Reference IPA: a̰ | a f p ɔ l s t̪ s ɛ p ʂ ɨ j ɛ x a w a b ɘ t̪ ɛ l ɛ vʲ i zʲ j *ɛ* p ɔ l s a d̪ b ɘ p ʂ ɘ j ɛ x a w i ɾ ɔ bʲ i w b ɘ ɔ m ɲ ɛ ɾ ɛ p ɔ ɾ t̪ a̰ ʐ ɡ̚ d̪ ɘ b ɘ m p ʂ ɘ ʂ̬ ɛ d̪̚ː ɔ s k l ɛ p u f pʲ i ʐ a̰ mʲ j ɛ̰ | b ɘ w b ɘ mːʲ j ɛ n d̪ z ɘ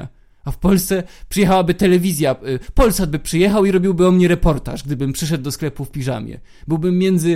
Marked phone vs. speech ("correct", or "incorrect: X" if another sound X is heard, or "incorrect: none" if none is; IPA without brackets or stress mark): incorrect: a